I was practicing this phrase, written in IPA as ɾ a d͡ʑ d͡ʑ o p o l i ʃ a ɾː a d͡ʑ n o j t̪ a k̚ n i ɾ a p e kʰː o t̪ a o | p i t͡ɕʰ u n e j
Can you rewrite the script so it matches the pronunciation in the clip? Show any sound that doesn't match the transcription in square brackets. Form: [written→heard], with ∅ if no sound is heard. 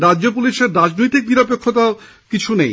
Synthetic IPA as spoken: ɾ a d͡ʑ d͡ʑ o p [o→u] l i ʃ [a→e] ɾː a d͡ʑ n o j t̪ [a→i] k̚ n i ɾ a p e kʰː o t̪ a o | [p→k] i t͡ɕʰ u n e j